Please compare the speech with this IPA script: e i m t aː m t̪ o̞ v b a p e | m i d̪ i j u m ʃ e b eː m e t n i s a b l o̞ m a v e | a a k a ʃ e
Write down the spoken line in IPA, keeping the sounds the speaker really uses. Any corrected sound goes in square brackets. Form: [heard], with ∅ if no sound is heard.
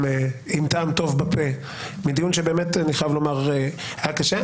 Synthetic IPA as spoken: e i m t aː m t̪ o̞ v b a p e | m i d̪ i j u [n] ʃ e b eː m e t n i [χ] a [v] l o̞ m a [ʁ] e | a a k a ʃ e